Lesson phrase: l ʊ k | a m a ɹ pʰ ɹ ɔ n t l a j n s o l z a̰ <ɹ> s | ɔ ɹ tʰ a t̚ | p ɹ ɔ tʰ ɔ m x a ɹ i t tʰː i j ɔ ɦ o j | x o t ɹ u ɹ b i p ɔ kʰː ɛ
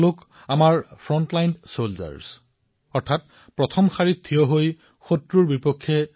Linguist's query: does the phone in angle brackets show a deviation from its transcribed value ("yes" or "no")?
no